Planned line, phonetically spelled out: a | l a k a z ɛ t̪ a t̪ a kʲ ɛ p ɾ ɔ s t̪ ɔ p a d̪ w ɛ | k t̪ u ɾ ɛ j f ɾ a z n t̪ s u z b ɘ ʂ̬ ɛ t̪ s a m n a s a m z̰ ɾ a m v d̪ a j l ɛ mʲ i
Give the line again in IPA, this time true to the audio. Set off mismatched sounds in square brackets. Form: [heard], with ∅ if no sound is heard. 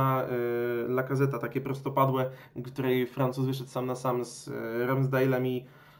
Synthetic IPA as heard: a | l a k a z ɛ t̪ a t̪ a kʲ ɛ p ɾ ɔ s t̪ ɔ p a d̪ w ɛ | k t̪ u ɾ ɛ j f ɾ a [∅] n t̪ s u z [v] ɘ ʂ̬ ɛ t̪ s a m n a s a m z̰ ɾ a m [z] d̪ a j l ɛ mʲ i